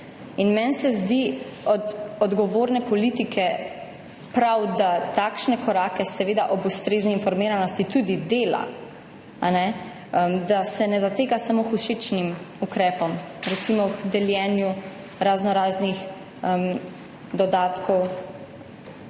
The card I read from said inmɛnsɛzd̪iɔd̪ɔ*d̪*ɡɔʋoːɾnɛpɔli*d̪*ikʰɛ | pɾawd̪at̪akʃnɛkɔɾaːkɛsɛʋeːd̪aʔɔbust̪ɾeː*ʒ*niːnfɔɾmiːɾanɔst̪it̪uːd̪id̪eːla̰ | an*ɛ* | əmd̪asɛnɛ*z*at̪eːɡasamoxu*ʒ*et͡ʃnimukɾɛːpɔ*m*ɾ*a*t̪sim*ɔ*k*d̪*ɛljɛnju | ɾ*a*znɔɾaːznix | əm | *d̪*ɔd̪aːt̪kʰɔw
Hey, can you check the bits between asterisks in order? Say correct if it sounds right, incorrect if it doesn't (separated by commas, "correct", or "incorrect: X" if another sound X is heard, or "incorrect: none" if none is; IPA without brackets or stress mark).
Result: correct, incorrect: t̪, incorrect: z, correct, correct, incorrect: ʃ, correct, incorrect: ɛ, correct, correct, correct, correct